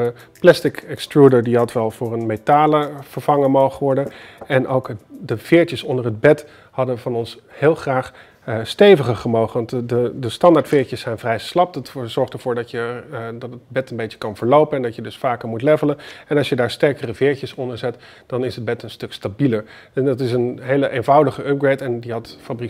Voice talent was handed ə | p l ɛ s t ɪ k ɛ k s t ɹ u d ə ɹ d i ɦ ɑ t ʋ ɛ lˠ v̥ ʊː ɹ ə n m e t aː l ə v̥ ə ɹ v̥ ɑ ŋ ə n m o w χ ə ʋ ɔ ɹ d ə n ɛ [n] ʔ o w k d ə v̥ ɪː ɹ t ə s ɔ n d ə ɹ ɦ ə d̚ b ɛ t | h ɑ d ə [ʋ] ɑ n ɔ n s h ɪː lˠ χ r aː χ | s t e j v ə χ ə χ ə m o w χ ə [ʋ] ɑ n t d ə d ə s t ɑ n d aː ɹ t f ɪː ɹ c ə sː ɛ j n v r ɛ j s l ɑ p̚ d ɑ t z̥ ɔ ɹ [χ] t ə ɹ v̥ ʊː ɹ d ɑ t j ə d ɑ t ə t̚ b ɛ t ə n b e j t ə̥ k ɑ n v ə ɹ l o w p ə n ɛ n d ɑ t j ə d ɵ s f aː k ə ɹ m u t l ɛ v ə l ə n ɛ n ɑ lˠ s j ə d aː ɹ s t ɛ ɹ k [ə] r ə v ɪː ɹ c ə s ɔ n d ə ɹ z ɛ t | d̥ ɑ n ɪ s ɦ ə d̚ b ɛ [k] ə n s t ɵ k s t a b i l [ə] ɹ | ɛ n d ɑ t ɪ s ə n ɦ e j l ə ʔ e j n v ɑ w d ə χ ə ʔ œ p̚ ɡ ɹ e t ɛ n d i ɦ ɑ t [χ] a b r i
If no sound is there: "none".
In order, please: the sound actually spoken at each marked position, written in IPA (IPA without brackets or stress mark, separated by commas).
n, v, ʋ, χ, ə, t, ə, f